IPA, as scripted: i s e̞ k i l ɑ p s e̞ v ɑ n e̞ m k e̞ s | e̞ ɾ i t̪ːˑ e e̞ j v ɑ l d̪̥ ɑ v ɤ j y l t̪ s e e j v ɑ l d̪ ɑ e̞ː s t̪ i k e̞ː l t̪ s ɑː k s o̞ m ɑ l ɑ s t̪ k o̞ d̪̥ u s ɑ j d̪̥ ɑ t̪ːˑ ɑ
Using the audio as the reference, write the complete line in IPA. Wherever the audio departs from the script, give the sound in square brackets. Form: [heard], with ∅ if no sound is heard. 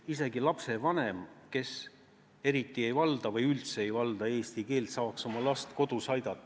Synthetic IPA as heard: i s e̞ [ɡ] i l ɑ p s e̞ v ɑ n e̞ m k e̞ s | e̞ ɾ i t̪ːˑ [i] e̞ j v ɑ l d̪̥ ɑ v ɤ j y l t̪ s e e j v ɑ l d̪ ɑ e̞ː s t̪ i k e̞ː l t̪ s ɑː k s o̞ m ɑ l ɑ s t̪ k o̞ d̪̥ u s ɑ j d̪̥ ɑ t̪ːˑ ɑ